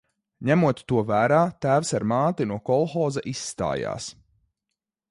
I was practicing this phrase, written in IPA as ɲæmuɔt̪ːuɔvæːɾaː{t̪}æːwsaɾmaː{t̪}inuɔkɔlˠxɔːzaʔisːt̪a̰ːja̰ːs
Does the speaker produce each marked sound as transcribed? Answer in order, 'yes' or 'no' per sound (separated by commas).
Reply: yes, yes